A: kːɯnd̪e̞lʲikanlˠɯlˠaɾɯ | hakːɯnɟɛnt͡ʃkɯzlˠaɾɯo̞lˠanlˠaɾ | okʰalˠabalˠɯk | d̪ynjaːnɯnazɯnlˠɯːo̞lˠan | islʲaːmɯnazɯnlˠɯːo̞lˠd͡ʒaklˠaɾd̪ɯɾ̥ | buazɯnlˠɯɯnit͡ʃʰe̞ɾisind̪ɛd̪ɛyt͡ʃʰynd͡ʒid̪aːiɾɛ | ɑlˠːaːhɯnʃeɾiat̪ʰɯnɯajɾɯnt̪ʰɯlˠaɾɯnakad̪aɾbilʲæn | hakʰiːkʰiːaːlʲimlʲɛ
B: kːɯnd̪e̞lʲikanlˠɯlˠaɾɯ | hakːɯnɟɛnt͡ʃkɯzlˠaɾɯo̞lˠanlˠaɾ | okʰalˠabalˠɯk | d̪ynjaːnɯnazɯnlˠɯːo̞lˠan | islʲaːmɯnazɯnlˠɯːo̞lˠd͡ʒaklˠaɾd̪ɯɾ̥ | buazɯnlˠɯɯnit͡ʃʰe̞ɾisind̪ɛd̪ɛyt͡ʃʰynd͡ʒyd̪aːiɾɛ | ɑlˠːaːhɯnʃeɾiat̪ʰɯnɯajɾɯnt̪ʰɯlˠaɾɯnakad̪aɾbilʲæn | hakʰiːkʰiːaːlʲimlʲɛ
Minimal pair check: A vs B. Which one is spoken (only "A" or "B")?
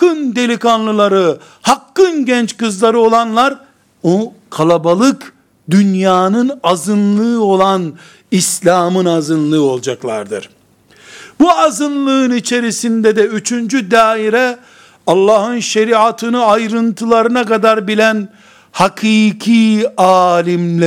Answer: B